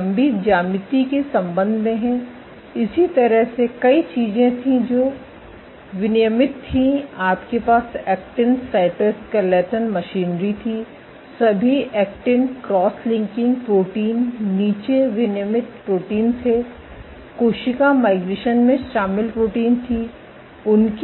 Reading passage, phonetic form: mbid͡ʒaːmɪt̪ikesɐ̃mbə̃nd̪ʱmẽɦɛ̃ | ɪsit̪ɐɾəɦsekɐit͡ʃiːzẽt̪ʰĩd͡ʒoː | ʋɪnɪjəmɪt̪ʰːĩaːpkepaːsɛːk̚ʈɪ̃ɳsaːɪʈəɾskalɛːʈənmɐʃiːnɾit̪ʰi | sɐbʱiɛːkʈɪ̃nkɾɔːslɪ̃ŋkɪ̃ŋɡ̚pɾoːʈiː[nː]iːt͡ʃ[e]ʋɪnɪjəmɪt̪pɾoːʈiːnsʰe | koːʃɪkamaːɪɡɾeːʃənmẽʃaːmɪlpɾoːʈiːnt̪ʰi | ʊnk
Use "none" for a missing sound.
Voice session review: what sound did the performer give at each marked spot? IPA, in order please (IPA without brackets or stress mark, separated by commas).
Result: nː, e